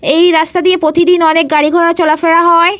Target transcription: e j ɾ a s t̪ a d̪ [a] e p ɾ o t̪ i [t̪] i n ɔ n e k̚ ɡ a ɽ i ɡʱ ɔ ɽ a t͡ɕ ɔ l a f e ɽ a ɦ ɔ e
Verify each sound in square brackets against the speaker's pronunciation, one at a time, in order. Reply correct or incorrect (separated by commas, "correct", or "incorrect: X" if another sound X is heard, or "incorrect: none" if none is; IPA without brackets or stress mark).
incorrect: i, incorrect: d̪